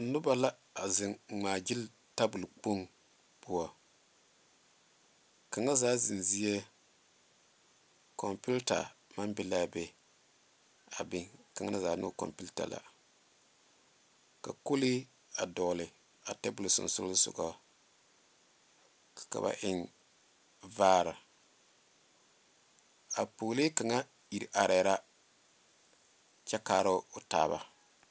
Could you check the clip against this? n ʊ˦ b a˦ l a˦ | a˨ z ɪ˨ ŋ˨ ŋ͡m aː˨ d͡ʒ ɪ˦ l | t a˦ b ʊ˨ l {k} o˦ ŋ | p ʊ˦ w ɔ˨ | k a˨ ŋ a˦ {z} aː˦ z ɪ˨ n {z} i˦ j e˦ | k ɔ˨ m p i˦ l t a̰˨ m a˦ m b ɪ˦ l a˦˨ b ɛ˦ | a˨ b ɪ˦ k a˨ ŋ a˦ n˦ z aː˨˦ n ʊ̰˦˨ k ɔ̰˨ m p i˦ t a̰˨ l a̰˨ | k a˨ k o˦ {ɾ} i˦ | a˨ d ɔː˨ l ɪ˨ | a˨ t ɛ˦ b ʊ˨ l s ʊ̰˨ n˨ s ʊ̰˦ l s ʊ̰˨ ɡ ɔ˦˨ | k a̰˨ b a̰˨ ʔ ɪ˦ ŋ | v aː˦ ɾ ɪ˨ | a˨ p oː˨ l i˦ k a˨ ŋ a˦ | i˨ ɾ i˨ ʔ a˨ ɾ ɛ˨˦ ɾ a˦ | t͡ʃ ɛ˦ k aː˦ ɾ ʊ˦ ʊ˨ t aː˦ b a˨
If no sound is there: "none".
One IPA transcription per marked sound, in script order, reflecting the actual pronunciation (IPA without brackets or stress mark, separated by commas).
k͡p, z, z, l